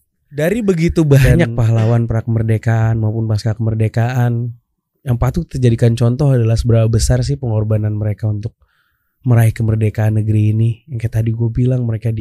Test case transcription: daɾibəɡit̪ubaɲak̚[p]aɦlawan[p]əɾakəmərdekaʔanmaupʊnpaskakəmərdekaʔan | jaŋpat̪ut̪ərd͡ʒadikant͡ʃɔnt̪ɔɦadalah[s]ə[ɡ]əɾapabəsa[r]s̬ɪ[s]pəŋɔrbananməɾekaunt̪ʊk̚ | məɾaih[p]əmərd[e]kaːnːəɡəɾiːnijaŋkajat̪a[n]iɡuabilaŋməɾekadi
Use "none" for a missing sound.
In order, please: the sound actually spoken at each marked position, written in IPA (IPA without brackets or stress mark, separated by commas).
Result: p, p, s, b, r, h, k, e, d